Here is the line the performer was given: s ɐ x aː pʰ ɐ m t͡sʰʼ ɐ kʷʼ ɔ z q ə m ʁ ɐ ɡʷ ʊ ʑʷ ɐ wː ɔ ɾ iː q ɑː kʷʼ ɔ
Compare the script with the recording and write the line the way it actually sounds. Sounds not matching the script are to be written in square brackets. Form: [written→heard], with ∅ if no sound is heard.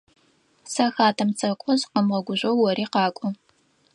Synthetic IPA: s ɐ x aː [pʰ→tʰ] ɐ m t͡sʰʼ ɐ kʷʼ ɔ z q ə m ʁ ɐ ɡʷ ʊ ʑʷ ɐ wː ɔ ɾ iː q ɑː kʷʼ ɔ